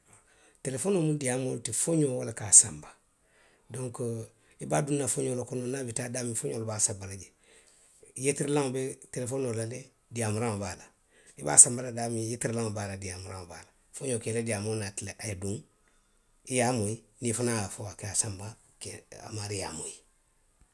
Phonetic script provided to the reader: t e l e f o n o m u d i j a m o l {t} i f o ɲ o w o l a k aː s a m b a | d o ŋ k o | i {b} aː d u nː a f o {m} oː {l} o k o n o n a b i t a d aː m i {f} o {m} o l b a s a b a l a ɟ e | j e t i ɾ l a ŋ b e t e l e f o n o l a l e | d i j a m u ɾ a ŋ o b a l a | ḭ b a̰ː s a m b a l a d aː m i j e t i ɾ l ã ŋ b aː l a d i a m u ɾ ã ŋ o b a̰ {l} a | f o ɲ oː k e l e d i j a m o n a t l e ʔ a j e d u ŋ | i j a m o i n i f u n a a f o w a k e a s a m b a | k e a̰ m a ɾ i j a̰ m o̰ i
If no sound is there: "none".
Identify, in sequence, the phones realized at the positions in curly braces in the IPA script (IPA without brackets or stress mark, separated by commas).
t, b, ɲ, l, f, ɲ, l